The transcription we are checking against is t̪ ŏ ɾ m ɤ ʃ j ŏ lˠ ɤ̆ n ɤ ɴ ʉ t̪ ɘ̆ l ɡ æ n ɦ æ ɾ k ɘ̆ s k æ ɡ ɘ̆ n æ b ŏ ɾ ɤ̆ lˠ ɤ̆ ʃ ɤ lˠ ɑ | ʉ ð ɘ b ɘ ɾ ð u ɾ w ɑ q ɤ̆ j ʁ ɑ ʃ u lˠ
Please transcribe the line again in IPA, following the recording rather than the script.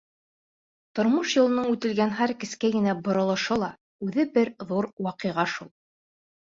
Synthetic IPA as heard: t̪ ŏ ɾ m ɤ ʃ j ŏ lˠ ɤ̆ n ɤ ɴ ʉ t̪ ɘ̆ l ɡ æ n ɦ æ ɾ k ɘ̆ s k æ ɡ ɘ̆ n æ b ŏ ɾ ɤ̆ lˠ ɤ̆ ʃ ɤ lˠ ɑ | ʉ ð ɘ b ɘ ɾ ð u ɾ w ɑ q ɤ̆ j ʁ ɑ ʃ u lˠ

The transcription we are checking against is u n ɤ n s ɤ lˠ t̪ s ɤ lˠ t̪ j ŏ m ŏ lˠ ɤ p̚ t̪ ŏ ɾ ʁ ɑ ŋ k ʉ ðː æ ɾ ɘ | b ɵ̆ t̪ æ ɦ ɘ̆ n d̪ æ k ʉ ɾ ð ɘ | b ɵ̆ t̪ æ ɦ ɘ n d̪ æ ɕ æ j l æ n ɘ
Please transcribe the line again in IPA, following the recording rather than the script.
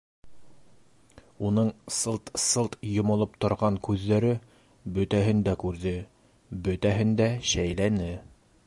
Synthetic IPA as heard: u n ɤ ɴ s ɤ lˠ t̪ s ɤ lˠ t̪ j ŏ m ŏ lˠ ɤ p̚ t̪ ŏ ɾ ʁ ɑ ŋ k ʉ ðː æ ɾ ɘ | b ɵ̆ t̪ æ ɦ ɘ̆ n d̪ æ k ʉ ɾ ð ɘ | b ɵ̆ t̪ æ ɦ ɘ n d̪ æ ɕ æ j l æ n ɘ

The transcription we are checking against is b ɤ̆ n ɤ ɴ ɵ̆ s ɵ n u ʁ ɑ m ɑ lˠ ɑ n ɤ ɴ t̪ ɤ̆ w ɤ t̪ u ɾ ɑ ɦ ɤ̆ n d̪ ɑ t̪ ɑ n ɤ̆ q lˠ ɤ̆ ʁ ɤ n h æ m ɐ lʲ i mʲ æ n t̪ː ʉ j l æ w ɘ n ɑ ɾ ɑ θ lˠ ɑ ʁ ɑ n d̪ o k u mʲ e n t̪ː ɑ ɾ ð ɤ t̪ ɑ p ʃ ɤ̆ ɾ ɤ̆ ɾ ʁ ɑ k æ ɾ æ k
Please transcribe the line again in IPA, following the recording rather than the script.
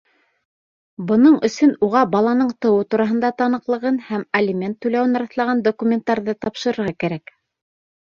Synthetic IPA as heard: b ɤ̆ n ɤ ɴ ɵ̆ s ɵ n u ʁ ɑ b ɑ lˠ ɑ n ɤ ɴ t̪ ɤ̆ w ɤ t̪ u ɾ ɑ ɦ ɤ̆ n d̪ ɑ t̪ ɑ n ɤ̆ q lˠ ɤ̆ ʁ ɤ n h æ m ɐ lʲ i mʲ e n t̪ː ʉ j l æ w ɘ n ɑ ɾ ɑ θ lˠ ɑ ʁ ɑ n d̪ o k u mʲ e n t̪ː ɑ ɾ ð ɤ t̪ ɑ p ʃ ɤ̆ ɾ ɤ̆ ɾ ʁ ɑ k æ ɾ æ k

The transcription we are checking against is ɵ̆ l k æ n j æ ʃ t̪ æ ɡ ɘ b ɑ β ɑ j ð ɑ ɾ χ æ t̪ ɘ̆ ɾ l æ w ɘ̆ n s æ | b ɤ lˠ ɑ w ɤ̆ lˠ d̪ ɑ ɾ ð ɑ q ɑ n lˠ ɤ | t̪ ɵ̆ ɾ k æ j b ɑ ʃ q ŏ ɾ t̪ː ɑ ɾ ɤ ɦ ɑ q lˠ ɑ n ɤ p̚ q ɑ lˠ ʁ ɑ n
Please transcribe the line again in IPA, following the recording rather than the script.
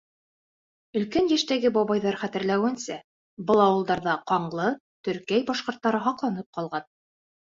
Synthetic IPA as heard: ɵ̆ l k æ n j æ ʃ t̪ æ ɡ ɘ b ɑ β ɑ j ð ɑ ɾ χ æ t̪ ɘ̆ ɾ l æ w ɘ̆ n s æ | b ɤ lˠ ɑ w ɤ̆ lˠ d̪ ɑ ɾ ð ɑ q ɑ ɴ lˠ ɤ | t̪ ɵ̆ ɾ k æ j b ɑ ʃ q ŏ ɾ t̪ː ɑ ɾ ɤ ɦ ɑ q lˠ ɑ n ɤ p̚ q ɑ lˠ ʁ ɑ n

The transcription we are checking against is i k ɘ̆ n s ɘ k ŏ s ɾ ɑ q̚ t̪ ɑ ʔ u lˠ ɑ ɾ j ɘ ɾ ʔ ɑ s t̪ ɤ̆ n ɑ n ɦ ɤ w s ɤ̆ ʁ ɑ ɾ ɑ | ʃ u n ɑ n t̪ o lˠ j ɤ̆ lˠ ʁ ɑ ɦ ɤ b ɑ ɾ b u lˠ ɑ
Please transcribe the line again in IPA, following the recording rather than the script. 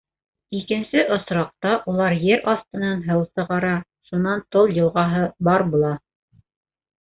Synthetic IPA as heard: i k ɘ̆ n s ɘ ʔ ŏ s ɾ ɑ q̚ t̪ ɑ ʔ u lˠ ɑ ɾ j ɘ ɾ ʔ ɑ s t̪ ɤ̆ n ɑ n ɦ ɤ w s ɤ̆ ʁ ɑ ɾ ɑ | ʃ u n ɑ n t̪ o lˠ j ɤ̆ lˠ ʁ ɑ ɦ ɤ b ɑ ɾ b u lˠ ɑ

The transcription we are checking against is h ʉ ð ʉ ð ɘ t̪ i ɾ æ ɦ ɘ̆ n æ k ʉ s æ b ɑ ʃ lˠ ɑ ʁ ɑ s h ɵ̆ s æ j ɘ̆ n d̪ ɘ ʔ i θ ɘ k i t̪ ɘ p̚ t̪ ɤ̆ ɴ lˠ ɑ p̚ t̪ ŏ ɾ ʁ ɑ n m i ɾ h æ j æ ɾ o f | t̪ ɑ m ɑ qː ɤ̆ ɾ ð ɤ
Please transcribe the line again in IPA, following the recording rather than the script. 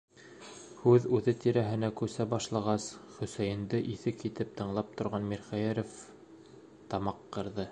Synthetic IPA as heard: h ʉ ð ʉ ð ɘ t̪ i ɾ æ ɦ ɘ̆ n æ k ʉ s æ b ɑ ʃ lˠ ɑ ʁ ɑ s χ ɵ̆ s æ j ɘ̆ n d̪ ɘ ʔ i θ ɘ k i t̪ ɘ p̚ t̪ ɤ̆ ɴ lˠ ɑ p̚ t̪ ŏ ɾ ʁ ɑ n m i ɾ χ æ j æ ɾ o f | t̪ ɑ m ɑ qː ɤ̆ ɾ ð ɤ

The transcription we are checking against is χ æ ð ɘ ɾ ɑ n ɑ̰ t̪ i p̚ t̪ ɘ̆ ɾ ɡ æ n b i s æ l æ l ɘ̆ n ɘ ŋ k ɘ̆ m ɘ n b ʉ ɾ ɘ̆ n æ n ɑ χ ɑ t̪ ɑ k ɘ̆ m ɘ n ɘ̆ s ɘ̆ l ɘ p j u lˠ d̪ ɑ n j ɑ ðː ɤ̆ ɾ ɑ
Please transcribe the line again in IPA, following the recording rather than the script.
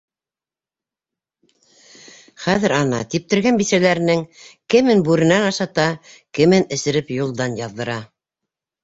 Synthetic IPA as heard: χ æ ð ɘ ɾ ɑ n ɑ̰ t̪ i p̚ t̪ ɘ̆ ɾ ɡ æ n b i s æ l æ ɾ ɘ̆ n ɘ ŋ k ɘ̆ m ɘ n b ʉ ɾ ɘ̆ n æ n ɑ ʃ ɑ t̪ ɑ k ɘ̆ m ɘ n ɘ̆ s ɘ̆ ɾ ɘ p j u lˠ d̪ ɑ n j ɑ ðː ɤ̆ ɾ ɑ

